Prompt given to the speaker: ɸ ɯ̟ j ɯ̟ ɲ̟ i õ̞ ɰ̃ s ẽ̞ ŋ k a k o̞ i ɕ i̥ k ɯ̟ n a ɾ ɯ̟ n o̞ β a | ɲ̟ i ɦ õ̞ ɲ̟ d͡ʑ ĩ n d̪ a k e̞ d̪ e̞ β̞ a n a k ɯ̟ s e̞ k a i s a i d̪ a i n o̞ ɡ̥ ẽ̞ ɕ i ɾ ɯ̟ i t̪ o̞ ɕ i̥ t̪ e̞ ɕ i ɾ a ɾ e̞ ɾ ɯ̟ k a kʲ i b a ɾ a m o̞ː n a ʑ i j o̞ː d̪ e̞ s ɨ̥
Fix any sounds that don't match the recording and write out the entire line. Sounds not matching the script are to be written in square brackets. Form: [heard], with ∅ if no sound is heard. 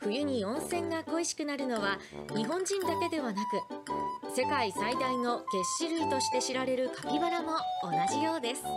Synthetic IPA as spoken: ɸ ɯ̟ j ɯ̟ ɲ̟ i õ̞ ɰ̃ s ẽ̞ ŋ [ɡ] a k o̞ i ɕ i̥ k ɯ̟ n a ɾ ɯ̟ n o̞ β a | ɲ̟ i ɦ õ̞ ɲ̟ d͡ʑ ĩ n d̪ a k e̞ d̪ e̞ β̞ a n a k ɯ̟ s e̞ k a i s a i d̪ a i n o̞ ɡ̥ [e̞] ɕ i ɾ ɯ̟ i t̪ o̞ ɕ i̥ t̪ e̞ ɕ i ɾ a ɾ e̞ ɾ ɯ̟ k a [pʲ] i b a ɾ a m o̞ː n a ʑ i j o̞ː d̪ e̞ s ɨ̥

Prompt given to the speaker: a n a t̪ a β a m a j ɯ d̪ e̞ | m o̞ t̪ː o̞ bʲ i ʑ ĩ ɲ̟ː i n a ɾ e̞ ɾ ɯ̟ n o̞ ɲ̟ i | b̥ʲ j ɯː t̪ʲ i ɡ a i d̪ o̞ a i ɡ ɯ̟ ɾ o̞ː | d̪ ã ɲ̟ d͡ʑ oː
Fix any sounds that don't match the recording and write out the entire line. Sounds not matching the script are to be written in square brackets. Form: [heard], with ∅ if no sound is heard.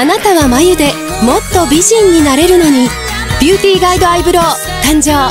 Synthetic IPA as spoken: a n a t̪ a β a m a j ɯ d̪ e̞ | m o̞ t̪ː o̞ bʲ i ʑ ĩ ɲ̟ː i n a ɾ e̞ ɾ ɯ̟ n o̞ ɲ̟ i | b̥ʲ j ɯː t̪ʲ [iː] ɡ a i d̪ o̞ a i [b] ɯ̟ ɾ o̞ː | [t̪] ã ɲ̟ d͡ʑ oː

